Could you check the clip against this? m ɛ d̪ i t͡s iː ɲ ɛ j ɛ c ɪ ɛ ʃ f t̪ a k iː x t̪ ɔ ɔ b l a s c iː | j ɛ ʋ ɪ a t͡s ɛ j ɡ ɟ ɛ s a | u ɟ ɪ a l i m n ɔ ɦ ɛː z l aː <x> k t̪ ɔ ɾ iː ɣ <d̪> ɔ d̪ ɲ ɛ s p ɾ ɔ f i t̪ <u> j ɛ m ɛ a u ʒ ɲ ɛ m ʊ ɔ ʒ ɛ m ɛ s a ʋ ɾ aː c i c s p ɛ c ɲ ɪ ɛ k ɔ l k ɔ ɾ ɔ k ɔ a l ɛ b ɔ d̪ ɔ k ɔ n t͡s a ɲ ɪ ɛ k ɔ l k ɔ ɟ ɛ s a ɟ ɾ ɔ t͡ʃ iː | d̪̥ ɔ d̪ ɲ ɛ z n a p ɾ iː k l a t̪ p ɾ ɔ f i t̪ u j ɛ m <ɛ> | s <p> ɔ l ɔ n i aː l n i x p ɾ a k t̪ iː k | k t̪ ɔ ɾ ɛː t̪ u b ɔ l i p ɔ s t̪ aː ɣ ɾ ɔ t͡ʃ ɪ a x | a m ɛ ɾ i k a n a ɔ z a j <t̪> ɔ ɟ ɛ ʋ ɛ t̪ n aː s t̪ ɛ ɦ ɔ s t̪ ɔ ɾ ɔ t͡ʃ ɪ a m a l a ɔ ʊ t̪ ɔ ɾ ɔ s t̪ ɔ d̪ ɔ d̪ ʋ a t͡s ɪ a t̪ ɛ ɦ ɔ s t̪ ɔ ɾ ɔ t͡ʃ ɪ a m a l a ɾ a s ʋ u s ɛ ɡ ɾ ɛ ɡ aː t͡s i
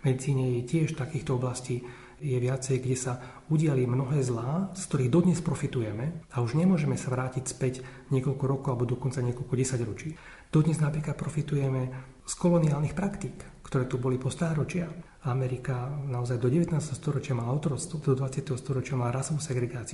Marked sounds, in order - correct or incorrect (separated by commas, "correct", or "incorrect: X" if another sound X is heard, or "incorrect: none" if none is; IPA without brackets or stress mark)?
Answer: incorrect: s, correct, correct, correct, incorrect: k, incorrect: d̪